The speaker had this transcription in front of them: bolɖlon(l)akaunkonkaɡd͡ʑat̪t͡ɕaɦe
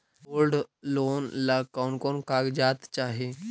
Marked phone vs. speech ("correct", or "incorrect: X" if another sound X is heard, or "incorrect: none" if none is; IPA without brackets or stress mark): correct